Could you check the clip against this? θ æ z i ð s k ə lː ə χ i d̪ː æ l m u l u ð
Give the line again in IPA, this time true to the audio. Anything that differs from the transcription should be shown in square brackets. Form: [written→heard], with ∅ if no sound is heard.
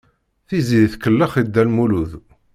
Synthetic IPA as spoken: θ [æ→i] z i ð [s→θ] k ə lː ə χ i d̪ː æ l m u l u ð